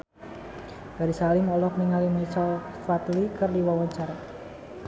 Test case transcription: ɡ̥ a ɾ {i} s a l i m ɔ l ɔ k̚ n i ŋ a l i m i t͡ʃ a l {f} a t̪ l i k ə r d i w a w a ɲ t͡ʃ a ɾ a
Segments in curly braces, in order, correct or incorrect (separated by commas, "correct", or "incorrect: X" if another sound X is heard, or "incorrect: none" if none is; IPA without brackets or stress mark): correct, correct